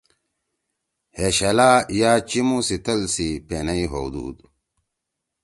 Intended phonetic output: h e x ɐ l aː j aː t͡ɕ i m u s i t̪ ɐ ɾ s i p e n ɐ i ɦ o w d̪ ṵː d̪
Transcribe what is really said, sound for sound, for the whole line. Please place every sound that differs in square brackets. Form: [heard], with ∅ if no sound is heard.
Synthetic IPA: h e [ɕ] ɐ l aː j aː t͡ɕ i m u s i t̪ ɐ [l] s i p e n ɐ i ɦ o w d̪ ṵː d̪

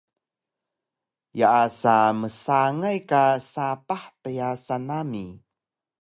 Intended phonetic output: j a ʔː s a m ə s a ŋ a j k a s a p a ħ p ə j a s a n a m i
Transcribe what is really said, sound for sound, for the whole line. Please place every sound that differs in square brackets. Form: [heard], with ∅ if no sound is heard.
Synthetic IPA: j a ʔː s a m ə s a ŋ a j k a s a p a ħ p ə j a s a n a m i

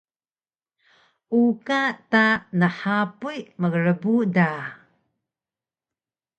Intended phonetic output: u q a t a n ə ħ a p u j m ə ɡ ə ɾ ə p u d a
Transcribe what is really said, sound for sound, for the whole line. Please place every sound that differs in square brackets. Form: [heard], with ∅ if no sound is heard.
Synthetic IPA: u [k] a t a n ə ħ a p u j m ə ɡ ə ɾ ə [b] u d a

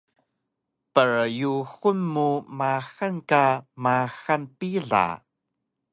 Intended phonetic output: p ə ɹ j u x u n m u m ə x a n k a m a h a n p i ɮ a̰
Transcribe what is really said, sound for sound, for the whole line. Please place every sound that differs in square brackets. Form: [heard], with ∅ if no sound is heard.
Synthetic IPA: p ə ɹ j u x u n m u m [a] x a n k a m a [x] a n p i ɮ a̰

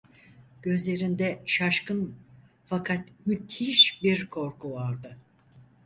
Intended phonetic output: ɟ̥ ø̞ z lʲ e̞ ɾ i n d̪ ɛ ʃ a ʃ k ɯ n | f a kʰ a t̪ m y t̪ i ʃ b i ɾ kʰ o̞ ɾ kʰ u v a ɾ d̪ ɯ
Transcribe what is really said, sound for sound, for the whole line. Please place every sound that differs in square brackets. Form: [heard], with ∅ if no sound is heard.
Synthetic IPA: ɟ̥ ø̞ z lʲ e̞ ɾ i n d̪ ɛ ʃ a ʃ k ɯ n | f a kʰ a t̪ m y t̪ i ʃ b i ɾ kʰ o̞ ɾ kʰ u v a ɾ d̪ ɯ

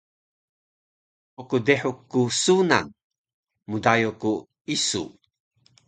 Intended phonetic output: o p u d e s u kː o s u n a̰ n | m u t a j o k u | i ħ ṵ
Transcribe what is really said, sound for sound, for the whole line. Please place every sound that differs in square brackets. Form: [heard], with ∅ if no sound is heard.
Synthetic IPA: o [k] u d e [ħ] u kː [u] s u n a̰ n | m u [d] a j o k u | i [s] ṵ

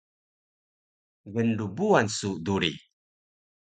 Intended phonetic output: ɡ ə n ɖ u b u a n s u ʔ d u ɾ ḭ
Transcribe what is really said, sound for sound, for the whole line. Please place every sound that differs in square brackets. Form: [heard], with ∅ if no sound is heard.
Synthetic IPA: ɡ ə n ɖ u b u a n s u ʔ d u ɾ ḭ

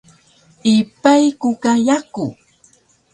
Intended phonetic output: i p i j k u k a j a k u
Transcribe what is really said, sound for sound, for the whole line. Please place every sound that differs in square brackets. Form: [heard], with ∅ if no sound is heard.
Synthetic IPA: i p [a] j k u k a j a k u

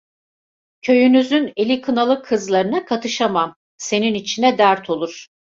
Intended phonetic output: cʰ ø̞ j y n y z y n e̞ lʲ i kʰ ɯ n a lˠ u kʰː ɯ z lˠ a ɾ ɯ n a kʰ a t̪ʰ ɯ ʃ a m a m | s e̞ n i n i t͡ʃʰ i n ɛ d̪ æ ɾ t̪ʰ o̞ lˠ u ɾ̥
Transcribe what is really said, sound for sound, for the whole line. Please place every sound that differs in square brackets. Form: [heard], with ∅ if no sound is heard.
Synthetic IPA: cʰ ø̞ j y n y z y n e̞ lʲ i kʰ ɯ n a lˠ [ɯ] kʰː ɯ z lˠ a ɾ ɯ n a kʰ a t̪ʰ ɯ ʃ a m a m | s e̞ n i n i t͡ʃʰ i n ɛ d̪ æ ɾ t̪ʰ o̞ lˠ u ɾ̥

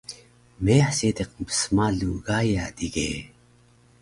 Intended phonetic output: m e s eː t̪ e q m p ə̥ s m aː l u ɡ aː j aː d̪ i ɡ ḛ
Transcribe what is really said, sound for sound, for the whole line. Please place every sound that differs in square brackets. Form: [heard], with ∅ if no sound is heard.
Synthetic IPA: m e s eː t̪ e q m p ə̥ s m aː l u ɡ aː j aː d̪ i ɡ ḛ

